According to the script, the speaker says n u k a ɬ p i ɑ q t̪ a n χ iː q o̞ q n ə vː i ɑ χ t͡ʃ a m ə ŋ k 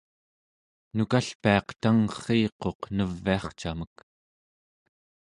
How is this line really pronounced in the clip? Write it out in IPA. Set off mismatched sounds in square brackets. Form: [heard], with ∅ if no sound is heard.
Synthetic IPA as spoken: n u k a ɬ p i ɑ q t̪ a [ŋ] χ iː q o̞ q n ə vː i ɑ χ t͡ʃ a m ə [∅] k